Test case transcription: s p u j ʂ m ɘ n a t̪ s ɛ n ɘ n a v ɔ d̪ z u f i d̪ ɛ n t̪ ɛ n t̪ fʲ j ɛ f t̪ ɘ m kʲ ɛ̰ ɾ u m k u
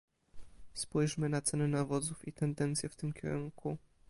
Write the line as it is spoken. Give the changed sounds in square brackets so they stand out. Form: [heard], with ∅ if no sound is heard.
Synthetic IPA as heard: s p u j ʂ m ɘ n a t̪ s ɛ n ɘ n a v ɔ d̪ z u f i [t̪] ɛ n [d̪] ɛ n t̪ [sʲ] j ɛ f t̪ ɘ m kʲ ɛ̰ ɾ u [ŋ] k u